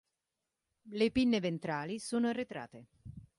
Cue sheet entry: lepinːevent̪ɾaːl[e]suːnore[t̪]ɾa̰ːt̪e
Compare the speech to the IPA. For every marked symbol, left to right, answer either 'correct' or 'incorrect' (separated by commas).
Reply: incorrect, correct